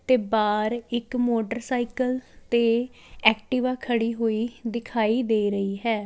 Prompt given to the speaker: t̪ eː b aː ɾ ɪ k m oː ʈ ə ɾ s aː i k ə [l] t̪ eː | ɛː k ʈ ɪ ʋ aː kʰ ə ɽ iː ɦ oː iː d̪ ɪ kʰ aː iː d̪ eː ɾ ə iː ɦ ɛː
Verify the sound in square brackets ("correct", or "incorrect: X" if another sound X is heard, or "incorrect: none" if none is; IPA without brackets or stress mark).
correct